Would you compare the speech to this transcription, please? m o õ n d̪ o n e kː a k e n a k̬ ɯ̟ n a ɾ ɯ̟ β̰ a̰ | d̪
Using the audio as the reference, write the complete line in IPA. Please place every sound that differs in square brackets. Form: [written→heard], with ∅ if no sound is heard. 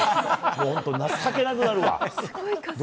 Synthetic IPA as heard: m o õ n [d̪→t̪] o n [e→a] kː a k e n a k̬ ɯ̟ n a ɾ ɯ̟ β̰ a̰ | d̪